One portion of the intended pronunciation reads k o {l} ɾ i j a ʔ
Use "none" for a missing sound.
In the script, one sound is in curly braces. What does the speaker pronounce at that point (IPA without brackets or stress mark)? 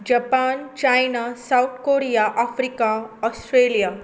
none